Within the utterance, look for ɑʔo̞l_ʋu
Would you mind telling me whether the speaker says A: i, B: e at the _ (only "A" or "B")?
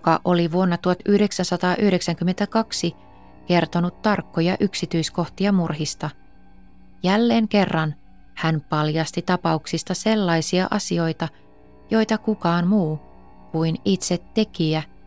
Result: A